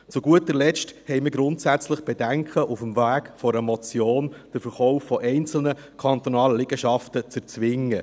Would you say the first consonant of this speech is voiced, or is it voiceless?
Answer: voiceless